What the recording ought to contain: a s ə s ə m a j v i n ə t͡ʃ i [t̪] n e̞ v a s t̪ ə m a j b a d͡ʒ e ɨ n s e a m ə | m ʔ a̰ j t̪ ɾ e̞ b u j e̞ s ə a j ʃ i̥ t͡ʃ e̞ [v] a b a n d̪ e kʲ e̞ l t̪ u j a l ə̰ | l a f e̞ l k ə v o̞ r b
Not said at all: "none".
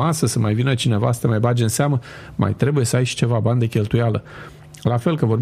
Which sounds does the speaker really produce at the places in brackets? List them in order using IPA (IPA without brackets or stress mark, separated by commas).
none, v